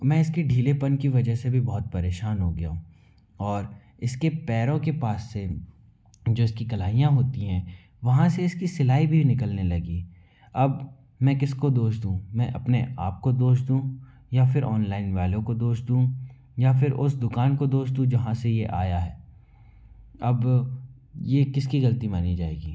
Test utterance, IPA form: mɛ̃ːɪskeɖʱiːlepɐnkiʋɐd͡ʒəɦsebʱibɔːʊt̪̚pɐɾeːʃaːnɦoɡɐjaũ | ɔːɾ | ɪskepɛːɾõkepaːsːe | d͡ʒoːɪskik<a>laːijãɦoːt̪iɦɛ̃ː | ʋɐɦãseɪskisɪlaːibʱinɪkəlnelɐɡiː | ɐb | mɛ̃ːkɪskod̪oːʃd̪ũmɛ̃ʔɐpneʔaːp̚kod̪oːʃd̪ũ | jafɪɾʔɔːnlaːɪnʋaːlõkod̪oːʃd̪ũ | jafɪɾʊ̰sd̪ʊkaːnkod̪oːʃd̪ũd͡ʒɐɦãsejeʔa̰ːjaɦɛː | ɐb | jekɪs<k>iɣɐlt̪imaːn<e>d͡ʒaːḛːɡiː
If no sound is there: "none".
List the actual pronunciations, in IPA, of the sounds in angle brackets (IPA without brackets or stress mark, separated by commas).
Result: ɐ, k, i